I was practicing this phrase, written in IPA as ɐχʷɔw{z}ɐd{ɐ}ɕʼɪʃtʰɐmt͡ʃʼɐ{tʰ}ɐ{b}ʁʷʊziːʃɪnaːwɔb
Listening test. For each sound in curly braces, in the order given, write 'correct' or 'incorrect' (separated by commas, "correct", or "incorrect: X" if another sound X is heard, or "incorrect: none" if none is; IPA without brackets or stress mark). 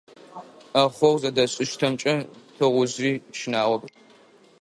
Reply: correct, correct, correct, incorrect: none